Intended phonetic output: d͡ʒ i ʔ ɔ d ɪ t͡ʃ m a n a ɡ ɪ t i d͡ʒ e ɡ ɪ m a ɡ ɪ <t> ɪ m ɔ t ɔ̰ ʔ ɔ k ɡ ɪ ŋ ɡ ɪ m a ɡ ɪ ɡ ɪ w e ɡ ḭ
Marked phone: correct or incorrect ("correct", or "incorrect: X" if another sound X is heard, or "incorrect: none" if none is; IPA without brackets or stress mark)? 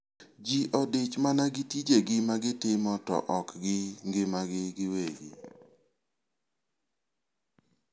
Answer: correct